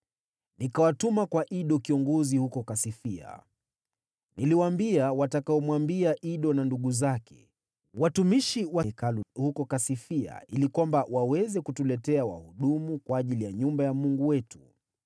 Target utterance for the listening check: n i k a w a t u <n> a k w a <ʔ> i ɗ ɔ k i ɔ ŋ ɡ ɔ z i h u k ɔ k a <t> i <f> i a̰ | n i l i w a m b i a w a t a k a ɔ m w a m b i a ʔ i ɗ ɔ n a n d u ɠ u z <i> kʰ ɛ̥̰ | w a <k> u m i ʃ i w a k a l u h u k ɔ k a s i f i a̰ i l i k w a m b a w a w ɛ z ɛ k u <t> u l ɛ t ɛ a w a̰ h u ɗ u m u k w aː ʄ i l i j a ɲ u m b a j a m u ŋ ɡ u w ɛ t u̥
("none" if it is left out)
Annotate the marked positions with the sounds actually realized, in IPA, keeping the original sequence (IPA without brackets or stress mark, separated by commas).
m, ʔ, s, f, a, t, t